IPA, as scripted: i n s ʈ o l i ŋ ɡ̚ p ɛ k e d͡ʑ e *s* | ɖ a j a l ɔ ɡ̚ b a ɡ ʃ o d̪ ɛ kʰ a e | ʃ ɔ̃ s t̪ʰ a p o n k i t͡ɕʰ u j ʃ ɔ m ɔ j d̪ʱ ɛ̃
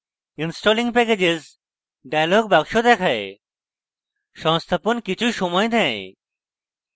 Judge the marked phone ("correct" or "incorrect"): incorrect